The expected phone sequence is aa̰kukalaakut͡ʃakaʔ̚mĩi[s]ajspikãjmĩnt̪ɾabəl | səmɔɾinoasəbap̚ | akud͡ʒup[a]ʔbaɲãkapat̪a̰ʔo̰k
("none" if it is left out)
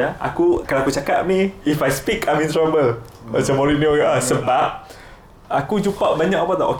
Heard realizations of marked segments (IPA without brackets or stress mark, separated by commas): f, a